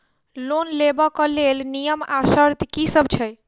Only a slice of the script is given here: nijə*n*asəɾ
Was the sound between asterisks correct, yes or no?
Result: no